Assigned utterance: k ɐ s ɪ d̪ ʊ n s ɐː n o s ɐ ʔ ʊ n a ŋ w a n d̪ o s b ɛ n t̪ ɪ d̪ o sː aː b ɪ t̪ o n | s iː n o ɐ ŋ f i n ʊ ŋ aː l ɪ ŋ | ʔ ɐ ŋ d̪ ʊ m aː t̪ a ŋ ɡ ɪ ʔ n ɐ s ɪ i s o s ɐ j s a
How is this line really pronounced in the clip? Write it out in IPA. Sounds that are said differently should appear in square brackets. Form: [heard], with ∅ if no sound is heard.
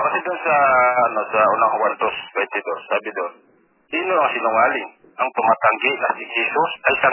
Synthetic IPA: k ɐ s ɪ d̪ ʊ n s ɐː n o s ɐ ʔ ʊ n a ŋ w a n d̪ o s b ɛ n t̪ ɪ d̪ o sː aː b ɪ [d̪] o n | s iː n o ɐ ŋ [s] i n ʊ ŋ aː l ɪ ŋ | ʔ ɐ ŋ [t̪] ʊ m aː t̪ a ŋ ɡ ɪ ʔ n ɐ s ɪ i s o s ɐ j s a